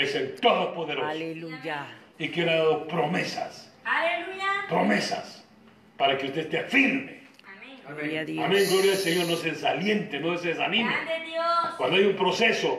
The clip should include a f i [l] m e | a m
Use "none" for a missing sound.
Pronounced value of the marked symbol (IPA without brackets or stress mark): ɾ